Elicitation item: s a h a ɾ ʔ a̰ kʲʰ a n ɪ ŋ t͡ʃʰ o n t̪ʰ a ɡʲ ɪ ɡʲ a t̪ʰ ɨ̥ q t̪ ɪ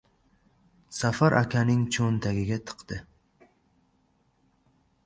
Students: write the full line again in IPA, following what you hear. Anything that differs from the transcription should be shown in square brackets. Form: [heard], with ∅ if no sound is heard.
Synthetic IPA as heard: s a [f] a ɾ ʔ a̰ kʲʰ a n ɪ ŋ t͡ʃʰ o n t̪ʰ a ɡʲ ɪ ɡʲ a t̪ʰ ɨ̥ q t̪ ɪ